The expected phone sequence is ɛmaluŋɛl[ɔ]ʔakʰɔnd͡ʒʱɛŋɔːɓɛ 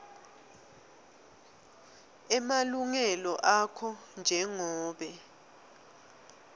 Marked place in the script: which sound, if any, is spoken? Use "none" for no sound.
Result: ɔ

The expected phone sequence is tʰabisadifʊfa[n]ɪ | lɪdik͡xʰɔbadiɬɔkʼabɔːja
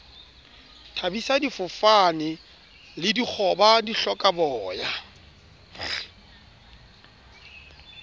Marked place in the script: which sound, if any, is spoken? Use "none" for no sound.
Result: n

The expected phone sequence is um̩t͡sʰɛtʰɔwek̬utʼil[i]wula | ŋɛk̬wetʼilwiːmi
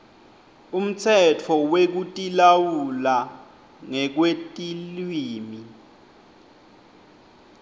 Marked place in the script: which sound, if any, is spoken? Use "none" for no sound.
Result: a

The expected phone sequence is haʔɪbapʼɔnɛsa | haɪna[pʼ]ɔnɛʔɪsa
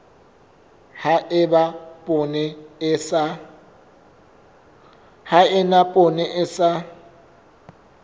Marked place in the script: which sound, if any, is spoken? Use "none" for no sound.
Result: pʼ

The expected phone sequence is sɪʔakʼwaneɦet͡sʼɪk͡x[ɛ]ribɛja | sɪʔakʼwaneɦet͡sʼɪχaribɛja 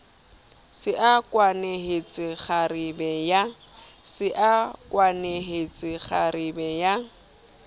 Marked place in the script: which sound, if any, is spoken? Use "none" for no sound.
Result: a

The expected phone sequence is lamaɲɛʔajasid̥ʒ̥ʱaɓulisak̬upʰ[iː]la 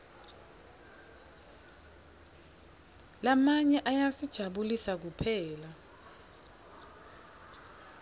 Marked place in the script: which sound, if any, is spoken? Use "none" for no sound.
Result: ɛː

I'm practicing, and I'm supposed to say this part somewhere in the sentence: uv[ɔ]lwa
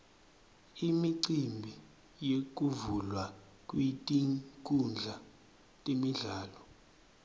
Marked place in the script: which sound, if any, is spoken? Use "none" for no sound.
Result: u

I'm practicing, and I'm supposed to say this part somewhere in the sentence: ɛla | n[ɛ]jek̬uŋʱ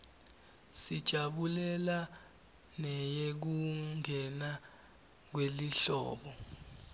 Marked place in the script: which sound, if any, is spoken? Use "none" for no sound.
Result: ɛ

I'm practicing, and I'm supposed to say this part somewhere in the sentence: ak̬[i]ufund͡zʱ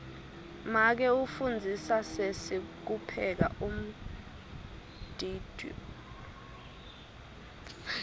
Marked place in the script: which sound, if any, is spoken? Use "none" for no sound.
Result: ɛ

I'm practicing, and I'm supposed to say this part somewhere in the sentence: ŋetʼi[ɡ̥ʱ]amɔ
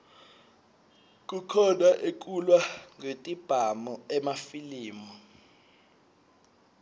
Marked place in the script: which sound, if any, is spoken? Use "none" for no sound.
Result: b̥ʱ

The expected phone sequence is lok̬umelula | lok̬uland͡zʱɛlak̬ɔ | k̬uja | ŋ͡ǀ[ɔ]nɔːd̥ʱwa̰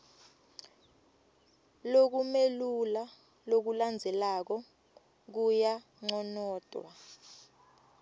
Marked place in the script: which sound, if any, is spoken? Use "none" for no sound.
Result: ɔ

